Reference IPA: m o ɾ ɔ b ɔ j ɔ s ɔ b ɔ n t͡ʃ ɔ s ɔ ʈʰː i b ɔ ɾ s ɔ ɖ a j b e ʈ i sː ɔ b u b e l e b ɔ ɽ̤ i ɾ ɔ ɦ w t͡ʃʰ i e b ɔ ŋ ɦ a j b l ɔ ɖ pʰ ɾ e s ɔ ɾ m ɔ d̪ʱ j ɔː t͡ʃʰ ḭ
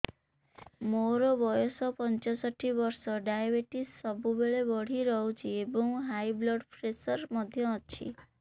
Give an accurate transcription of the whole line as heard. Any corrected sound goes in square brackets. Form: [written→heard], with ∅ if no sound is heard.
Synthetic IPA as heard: m o ɾ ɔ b ɔ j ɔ s ɔ [b→p] ɔ n t͡ʃ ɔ s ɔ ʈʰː i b ɔ ɾ s ɔ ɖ a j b e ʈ i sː ɔ b u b e [l→ɭ] e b ɔ ɽ̤ i ɾ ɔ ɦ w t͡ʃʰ i e b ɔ ŋ ɦ a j b l ɔ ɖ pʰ ɾ e s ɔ ɾ m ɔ d̪ʱ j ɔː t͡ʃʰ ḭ